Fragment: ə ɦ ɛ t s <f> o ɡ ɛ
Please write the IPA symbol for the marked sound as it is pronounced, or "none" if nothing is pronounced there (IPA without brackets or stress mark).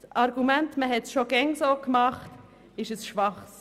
ʃ